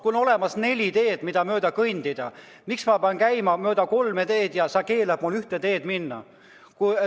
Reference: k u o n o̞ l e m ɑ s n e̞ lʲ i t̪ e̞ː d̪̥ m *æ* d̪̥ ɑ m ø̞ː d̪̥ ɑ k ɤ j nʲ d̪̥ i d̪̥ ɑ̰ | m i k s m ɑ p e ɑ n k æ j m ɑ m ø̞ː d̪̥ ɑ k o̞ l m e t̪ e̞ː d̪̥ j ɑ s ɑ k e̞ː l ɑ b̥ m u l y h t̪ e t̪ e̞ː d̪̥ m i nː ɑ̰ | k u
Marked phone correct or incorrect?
incorrect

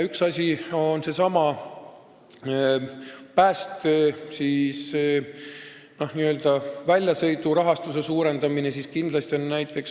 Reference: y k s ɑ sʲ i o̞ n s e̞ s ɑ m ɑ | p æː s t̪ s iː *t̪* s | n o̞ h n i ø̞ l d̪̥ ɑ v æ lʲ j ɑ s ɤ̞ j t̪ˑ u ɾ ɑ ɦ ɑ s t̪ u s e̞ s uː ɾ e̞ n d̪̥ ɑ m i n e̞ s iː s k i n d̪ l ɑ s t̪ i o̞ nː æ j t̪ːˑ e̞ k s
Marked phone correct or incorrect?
incorrect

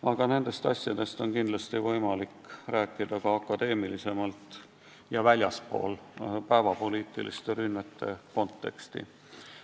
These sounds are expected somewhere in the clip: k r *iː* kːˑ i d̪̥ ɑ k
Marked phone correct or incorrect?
incorrect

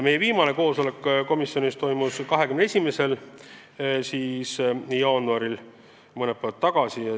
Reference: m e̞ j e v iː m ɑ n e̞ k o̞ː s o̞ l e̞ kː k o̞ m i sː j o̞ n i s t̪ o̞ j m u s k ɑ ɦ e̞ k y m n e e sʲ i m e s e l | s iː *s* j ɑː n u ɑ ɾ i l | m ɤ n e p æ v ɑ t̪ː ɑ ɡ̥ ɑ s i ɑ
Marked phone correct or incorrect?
correct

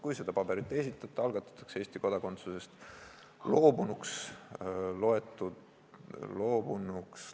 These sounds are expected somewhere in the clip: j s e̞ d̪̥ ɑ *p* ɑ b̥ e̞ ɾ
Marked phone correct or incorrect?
correct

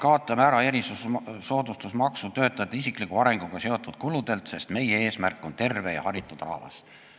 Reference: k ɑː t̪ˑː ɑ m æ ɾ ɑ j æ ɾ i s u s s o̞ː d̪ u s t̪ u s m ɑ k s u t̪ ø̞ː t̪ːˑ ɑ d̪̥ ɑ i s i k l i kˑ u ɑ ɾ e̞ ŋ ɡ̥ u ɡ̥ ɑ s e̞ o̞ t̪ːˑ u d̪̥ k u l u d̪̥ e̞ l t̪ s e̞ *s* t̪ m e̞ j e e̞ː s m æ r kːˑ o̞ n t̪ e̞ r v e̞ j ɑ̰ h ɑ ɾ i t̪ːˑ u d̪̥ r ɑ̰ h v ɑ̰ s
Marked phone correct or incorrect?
correct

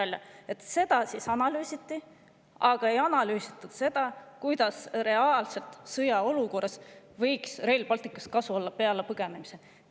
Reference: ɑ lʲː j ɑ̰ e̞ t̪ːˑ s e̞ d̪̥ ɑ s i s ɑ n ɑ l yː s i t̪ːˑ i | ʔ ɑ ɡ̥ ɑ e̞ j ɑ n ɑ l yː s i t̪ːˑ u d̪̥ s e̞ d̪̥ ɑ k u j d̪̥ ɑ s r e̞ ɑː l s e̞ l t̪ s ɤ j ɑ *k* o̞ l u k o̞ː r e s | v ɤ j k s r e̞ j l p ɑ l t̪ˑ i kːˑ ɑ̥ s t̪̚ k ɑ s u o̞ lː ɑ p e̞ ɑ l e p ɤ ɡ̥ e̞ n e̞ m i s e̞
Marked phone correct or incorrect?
incorrect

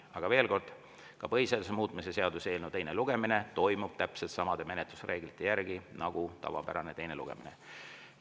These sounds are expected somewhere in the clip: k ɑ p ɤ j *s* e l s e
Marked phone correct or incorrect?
correct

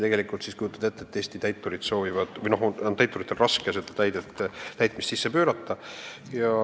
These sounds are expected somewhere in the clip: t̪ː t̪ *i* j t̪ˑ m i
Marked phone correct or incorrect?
incorrect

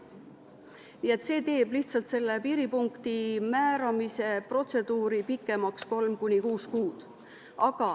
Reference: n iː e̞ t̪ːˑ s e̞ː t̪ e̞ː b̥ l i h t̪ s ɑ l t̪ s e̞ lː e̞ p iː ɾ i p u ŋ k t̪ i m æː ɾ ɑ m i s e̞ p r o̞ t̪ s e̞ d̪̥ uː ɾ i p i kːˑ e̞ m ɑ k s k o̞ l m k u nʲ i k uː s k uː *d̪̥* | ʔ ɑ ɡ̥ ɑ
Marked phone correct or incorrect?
correct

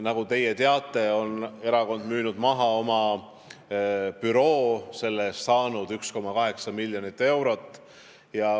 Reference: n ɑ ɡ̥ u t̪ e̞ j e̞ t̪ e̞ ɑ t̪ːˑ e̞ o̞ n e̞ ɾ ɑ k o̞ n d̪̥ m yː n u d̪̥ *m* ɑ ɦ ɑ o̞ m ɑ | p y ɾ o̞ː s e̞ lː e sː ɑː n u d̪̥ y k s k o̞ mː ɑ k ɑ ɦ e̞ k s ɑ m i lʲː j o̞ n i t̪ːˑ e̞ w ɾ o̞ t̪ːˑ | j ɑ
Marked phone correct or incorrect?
correct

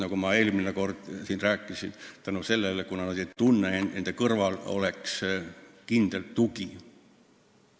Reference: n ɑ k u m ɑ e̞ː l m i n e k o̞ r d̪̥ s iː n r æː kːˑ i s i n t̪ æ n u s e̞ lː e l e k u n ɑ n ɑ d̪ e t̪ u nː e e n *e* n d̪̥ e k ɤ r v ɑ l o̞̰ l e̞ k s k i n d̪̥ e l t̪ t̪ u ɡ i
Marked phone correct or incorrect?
correct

